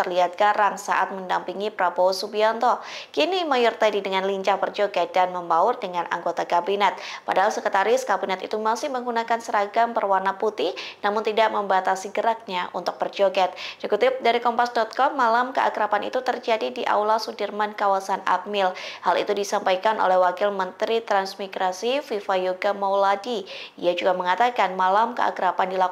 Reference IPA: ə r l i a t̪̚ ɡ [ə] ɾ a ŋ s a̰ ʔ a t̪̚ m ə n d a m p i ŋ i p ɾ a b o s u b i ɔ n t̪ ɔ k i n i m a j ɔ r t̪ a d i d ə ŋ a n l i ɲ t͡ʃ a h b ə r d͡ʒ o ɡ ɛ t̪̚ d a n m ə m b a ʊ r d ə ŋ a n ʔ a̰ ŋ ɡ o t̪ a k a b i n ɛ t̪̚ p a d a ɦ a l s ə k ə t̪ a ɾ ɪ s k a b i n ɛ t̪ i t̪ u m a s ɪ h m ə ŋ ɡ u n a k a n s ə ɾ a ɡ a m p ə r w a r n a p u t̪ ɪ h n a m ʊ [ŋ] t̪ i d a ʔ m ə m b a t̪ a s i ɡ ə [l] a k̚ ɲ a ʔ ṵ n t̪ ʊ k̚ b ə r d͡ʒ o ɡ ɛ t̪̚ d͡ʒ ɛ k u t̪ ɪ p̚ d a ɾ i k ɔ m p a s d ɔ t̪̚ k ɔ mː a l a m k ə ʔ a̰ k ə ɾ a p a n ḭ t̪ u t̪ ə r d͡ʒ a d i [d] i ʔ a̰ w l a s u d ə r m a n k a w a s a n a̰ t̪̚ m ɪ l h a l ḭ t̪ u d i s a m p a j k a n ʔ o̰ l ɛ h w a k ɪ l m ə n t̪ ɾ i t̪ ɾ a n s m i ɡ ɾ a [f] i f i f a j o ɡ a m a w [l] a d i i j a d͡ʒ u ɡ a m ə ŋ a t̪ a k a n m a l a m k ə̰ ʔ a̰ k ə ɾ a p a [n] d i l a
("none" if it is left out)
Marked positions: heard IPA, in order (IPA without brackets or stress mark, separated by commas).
a, n, ɾ, d, s, l, n